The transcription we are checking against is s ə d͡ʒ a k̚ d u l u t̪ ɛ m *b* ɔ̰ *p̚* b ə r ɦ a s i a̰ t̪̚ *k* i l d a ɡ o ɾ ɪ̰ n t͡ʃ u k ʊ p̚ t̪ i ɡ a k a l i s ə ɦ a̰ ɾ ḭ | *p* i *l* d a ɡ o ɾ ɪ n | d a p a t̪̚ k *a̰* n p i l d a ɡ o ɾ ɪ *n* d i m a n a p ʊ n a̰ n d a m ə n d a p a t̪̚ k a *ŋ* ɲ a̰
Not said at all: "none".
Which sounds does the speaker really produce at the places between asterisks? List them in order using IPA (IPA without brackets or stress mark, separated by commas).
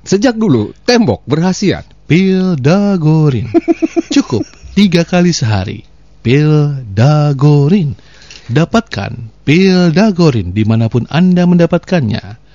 b, k̚, p, p, l, a̰, n, n